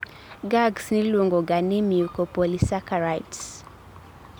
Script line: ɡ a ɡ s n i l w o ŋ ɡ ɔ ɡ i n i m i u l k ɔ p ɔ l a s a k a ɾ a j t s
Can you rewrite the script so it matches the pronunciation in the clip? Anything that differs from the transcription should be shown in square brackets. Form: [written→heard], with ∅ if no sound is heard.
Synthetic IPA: ɡ a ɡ s n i l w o ŋ ɡ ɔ ɡ [i→a] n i m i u [l→∅] k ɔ p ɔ l [a→i] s a k a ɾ a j t s